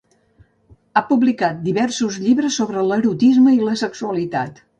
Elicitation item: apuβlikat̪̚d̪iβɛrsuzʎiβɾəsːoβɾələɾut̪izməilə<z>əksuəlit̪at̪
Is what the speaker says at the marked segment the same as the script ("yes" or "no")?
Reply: no